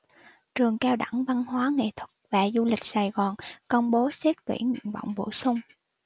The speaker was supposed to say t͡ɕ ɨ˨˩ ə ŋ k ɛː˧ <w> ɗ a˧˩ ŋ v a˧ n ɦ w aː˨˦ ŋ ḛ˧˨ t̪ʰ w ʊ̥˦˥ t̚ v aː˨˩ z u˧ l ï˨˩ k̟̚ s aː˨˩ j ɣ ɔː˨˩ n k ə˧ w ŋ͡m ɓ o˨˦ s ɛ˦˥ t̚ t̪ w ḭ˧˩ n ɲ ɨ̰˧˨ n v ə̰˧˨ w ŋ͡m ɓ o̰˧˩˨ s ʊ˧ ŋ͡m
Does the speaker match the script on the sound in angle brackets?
yes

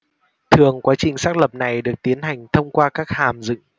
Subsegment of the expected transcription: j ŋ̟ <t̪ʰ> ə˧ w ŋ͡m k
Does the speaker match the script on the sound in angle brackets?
yes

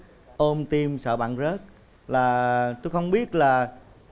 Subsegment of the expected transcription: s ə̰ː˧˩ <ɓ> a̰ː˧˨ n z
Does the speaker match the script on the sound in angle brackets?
yes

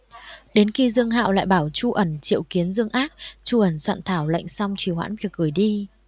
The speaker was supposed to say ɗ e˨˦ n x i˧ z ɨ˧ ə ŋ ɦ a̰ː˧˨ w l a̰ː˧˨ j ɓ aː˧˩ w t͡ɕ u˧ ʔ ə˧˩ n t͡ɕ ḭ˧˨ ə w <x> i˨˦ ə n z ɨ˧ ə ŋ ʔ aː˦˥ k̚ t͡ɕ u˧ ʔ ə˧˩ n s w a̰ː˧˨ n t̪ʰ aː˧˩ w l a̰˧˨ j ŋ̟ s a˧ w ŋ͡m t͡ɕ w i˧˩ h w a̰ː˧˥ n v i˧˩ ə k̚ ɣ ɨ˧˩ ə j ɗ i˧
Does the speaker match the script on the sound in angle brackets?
no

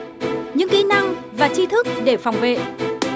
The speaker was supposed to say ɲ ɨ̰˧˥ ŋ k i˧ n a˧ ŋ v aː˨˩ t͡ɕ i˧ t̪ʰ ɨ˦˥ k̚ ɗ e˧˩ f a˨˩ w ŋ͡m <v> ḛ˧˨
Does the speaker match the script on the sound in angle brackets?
yes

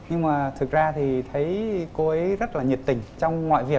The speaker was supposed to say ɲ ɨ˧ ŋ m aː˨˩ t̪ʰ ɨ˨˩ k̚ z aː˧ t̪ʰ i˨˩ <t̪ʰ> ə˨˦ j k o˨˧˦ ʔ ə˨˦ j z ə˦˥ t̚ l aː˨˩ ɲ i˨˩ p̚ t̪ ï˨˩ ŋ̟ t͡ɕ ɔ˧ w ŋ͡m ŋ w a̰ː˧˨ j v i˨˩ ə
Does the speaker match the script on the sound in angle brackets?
yes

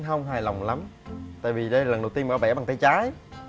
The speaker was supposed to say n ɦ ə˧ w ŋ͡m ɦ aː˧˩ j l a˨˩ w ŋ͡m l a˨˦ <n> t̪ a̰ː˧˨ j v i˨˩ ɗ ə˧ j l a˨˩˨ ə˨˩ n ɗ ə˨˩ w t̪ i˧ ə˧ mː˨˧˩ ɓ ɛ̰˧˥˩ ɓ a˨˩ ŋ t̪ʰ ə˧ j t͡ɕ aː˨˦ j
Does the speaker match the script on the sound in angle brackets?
no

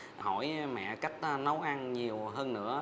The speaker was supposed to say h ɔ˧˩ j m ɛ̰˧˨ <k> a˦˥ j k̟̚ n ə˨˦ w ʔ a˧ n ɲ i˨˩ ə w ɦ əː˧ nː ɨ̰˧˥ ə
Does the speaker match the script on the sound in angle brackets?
yes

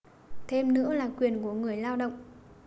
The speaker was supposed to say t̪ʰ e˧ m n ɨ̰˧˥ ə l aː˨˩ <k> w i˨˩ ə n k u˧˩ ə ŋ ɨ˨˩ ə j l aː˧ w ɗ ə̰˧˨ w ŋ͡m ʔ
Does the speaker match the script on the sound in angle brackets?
yes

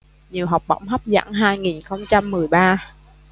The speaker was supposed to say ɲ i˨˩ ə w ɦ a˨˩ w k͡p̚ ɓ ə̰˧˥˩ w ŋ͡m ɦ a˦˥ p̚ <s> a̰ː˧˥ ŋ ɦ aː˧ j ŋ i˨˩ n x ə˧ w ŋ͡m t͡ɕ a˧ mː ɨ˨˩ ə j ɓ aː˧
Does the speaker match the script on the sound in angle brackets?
no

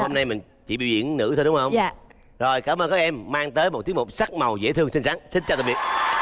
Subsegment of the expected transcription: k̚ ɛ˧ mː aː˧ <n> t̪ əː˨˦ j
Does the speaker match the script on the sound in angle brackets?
no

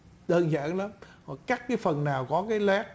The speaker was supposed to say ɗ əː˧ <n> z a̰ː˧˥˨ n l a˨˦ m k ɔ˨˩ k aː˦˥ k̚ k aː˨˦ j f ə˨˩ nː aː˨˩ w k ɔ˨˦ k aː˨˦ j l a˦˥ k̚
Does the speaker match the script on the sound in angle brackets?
yes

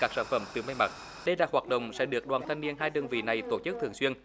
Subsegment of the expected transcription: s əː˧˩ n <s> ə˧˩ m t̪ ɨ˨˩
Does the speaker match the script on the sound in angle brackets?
no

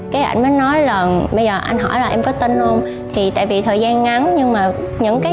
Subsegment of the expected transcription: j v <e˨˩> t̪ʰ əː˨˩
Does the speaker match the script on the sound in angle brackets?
no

